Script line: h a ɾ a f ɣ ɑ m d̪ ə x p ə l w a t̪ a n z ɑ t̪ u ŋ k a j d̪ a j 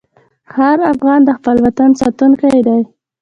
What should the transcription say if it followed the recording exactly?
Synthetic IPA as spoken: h a ɾ a f ɣ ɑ n d̪ ə x p ə l w a t̪ a n s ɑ t̪ u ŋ k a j d̪ a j